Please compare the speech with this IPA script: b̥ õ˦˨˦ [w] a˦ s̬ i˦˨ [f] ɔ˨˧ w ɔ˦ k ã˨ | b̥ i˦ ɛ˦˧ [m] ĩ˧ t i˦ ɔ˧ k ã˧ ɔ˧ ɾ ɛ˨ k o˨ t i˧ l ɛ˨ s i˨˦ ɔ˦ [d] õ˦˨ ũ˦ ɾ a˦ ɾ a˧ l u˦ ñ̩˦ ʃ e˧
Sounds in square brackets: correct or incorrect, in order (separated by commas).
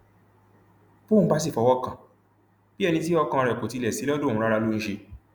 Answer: incorrect, correct, incorrect, correct